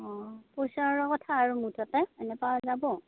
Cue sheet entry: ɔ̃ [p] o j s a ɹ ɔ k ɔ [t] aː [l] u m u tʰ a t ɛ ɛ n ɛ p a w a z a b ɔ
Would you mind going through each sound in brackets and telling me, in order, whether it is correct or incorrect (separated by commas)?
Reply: correct, incorrect, incorrect